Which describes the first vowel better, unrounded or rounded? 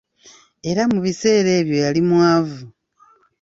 unrounded